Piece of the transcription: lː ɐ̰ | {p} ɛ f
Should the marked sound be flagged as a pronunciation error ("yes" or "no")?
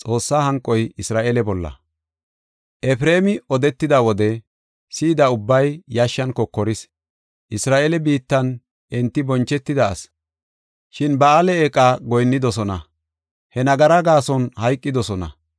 yes